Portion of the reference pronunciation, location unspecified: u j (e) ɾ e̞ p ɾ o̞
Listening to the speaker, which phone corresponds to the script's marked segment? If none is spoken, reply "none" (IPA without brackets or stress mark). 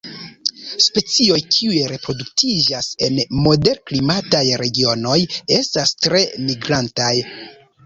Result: e